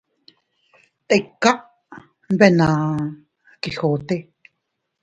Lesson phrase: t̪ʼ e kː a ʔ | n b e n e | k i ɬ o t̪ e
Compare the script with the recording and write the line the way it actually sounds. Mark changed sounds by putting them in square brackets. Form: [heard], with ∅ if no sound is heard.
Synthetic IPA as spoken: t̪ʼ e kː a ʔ | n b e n [a] | k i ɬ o t̪ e